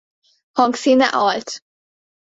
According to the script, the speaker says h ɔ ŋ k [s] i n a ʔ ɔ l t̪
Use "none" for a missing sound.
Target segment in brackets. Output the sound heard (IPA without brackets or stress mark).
s